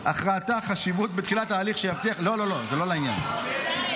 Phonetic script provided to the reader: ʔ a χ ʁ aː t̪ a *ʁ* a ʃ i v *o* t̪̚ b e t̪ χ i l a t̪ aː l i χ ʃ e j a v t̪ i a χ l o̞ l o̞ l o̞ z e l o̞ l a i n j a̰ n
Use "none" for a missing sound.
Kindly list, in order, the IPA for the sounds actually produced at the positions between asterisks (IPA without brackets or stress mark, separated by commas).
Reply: χ, u